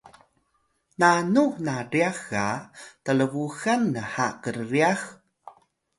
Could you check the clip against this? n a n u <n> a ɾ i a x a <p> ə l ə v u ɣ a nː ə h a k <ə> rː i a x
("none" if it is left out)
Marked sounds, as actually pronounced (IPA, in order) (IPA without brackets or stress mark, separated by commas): n, t, ə